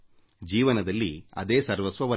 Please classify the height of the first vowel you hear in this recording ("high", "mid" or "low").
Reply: high